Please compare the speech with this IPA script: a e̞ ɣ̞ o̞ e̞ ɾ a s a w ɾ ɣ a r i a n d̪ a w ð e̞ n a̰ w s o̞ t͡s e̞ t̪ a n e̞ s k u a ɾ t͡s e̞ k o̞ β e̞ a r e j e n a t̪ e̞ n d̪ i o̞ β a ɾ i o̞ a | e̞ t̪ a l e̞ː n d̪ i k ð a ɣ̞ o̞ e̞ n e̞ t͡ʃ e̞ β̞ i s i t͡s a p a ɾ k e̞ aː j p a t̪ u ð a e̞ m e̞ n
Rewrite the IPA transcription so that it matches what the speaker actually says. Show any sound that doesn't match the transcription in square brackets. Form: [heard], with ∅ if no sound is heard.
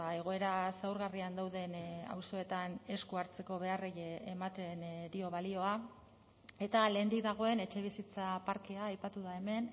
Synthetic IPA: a e̞ ɣ̞ o̞ e̞ ɾ a s a w ɾ ɣ a r i a n d̪ a w ð e̞ n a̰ w s o̞ [∅] e̞ t̪ a n e̞ s k u a ɾ t͡s e̞ k o̞ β e̞ a r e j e [m] a t̪ e̞ n d̪ i o̞ β a [l] i o̞ a | e̞ t̪ a l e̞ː n d̪ i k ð a ɣ̞ o̞ e̞ n e̞ t͡ʃ e̞ β̞ i s i t͡s a p a ɾ k e̞ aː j p a t̪ u ð a e̞ m e̞ n